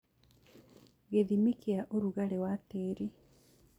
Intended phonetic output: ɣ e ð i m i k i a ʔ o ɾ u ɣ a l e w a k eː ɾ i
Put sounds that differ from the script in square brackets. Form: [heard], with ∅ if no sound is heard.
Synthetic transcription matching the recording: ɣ e ð i m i k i a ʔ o ɾ u ɣ a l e w a [t] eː ɾ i